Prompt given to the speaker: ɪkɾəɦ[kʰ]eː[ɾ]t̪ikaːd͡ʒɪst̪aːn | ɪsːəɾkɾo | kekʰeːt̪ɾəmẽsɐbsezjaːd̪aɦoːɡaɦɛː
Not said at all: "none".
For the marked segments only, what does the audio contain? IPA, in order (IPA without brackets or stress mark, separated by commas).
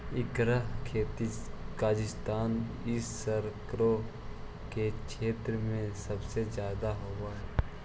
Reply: kʰ, none